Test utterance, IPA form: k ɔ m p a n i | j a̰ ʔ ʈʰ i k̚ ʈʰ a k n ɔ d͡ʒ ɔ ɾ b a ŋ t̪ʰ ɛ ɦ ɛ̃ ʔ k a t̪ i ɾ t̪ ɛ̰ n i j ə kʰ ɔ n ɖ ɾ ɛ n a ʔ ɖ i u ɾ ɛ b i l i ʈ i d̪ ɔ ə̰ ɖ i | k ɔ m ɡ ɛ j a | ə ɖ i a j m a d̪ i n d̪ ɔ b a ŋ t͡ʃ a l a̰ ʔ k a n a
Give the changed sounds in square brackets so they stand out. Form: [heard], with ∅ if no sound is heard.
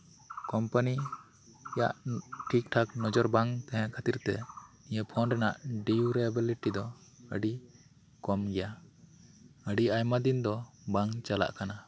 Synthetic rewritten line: k ɔ m p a n i | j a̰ ʔ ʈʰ i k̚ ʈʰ a k n ɔ d͡ʒ ɔ ɾ b a ŋ [t̪] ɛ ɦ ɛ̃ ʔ [kʰ] a t̪ i ɾ t̪ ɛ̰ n i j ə [pʰ] ɔ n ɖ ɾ ɛ n a ʔ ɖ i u ɾ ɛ b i l i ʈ i d̪ ɔ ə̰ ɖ i | k ɔ m ɡ ɛ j a | ə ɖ i a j m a d̪ i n d̪ ɔ b a ŋ t͡ʃ a l a̰ ʔ k a n a